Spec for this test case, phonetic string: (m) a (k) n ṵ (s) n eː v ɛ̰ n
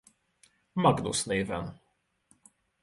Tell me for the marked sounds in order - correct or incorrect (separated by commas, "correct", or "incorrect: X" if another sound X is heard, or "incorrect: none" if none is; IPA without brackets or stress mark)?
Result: correct, incorrect: ɡ, correct